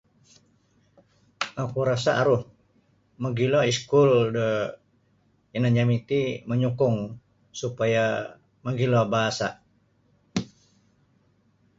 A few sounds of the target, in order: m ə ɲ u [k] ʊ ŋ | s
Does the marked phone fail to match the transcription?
no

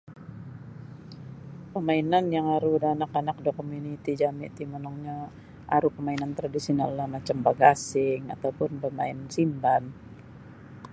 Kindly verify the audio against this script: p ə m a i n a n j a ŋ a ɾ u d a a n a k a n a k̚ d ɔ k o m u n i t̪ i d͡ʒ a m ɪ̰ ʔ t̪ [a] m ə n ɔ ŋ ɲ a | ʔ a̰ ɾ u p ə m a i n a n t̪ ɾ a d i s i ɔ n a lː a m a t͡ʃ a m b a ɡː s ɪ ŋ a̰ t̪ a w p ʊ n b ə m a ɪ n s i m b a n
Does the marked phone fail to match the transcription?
yes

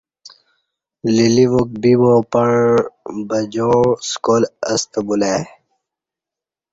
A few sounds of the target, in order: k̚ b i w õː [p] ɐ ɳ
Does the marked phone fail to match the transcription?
no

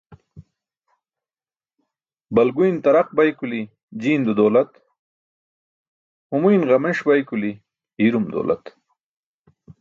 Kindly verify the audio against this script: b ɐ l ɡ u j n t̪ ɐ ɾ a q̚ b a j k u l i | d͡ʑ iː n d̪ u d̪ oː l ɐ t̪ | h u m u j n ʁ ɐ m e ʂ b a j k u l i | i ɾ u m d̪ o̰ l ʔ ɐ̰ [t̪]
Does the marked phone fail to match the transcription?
no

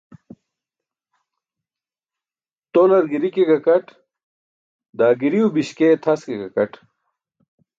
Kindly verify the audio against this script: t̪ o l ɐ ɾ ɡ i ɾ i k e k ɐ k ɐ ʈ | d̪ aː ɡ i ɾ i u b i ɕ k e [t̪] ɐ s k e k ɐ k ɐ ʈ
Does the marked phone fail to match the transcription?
yes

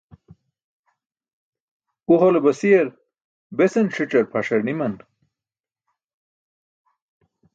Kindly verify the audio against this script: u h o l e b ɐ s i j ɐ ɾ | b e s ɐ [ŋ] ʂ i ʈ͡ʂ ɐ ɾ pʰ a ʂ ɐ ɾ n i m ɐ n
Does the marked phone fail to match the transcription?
yes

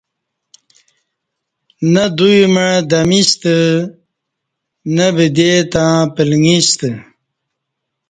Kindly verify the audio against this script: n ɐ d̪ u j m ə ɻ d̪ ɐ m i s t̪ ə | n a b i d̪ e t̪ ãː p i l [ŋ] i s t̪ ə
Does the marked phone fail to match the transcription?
no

